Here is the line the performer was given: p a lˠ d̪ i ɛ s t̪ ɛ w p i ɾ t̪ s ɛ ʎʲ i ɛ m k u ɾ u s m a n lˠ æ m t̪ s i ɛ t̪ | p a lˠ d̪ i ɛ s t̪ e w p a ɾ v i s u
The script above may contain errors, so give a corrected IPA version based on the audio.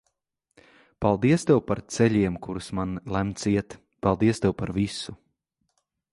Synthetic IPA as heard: p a lˠ d̪ i ɛ s t̪ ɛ w p a ɾ t̪ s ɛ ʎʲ i ɛ m k u ɾ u s m a n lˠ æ m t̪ s i ɛ t̪ | p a lˠ d̪ i ɛ s t̪ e w p a ɾ v i s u